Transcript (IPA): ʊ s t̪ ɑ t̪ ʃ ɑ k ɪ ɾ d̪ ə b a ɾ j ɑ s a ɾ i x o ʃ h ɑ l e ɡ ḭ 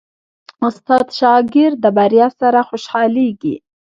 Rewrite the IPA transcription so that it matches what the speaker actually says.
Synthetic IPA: ʊ s t̪ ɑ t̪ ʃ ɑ ɡ ɪ ɾ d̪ ə b a ɾ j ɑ s a ɾ a x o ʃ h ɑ l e ɡ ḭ